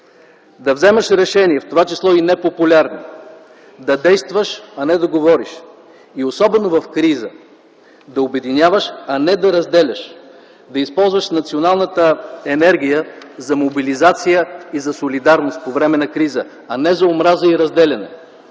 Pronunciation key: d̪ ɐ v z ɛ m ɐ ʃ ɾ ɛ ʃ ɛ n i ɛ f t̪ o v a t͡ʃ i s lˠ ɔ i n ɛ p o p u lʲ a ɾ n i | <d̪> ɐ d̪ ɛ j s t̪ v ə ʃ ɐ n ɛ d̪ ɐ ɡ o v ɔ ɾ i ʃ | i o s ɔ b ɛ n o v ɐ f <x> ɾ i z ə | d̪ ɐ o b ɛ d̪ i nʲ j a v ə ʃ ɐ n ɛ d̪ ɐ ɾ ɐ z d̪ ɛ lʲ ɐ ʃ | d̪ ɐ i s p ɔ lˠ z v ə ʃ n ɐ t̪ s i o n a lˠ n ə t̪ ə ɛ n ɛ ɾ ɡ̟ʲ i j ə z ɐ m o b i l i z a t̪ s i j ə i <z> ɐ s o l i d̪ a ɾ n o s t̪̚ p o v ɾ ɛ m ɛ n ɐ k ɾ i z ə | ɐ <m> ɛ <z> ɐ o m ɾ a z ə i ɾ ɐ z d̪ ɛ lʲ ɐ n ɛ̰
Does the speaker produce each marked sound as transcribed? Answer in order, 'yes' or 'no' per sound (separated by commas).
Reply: yes, no, yes, no, yes